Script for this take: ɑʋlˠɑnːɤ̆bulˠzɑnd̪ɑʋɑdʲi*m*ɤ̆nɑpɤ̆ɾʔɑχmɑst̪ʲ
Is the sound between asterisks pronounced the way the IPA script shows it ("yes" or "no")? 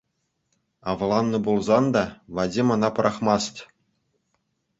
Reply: yes